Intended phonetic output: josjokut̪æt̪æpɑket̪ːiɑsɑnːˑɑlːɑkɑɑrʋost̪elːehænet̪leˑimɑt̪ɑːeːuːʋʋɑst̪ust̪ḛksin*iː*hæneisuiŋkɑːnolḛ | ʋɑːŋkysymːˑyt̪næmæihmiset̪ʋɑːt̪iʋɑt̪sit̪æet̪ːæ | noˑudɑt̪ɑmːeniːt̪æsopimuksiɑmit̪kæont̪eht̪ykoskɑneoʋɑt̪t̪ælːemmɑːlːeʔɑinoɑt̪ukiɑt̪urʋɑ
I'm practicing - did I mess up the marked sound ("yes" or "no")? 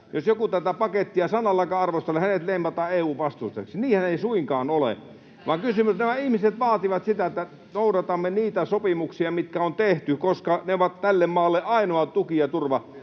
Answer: no